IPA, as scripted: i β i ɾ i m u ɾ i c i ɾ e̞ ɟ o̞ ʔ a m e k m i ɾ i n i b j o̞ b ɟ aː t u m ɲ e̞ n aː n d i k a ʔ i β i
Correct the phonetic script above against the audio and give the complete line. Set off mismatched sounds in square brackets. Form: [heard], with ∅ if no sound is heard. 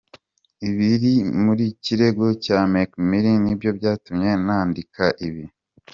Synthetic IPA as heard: i β i ɾ i m u ɾ i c i ɾ e̞ [ɡ] o̞ [c] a m e k m i ɾ i n i b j o̞ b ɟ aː t u m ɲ e̞ n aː n d i k a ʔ i β i

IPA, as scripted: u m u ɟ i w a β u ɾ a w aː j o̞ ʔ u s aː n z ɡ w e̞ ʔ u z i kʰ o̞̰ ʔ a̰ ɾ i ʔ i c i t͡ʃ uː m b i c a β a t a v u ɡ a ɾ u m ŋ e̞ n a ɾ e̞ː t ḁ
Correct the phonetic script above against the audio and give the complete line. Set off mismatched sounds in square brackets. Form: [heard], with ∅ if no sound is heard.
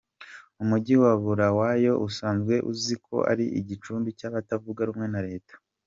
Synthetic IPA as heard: u m u ɟ i w a β u ɾ a w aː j o̞ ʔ u s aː n z ɡ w e̞ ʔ u z i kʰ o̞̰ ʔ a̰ ɾ i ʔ i [ɟ] i t͡ʃ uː m b i c a β a t a v u ɡ a ɾ u m ŋ e̞ n a ɾ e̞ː t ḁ

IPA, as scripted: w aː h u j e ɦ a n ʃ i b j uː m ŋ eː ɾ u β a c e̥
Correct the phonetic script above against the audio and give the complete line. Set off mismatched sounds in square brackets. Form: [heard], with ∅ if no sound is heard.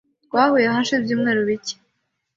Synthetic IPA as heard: w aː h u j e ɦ a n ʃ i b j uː m ŋ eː ɾ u β [i] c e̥

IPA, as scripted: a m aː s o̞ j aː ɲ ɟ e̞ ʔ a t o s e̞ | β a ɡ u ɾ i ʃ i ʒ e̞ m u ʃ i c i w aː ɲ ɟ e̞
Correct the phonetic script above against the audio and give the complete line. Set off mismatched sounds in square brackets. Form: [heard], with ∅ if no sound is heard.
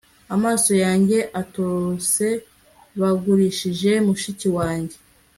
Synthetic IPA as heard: a m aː s o̞ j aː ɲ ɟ e̞ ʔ a t o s e̞ | β a ɡ u ɾ i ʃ i ʒ e̞ m u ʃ i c i w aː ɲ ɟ e̞

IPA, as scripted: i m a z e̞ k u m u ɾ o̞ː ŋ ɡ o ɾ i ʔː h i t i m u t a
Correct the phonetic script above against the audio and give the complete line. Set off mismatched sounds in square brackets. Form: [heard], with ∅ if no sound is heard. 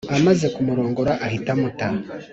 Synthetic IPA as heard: [a] m a z e̞ k u m u ɾ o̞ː ŋ ɡ o ɾ [a] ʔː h i t [a] m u t a

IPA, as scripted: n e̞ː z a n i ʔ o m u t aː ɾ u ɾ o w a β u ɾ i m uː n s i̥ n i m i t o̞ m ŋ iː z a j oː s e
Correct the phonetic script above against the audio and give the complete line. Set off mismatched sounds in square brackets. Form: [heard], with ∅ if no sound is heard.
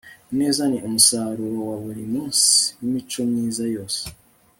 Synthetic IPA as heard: n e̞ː z a n i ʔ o m u [s] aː ɾ u ɾ o w a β u ɾ i m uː n s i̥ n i m i [t͡ʃ] o̞ m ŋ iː z a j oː s e

